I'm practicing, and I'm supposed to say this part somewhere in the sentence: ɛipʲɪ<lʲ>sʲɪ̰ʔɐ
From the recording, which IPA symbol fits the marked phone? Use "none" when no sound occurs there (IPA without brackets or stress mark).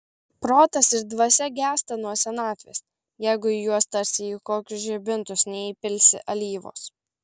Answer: lʲ